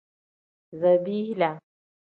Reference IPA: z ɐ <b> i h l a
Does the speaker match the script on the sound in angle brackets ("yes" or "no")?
yes